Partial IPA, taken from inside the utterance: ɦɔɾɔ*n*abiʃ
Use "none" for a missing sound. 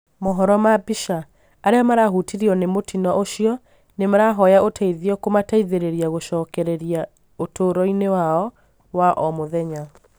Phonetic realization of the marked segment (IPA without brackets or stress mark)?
m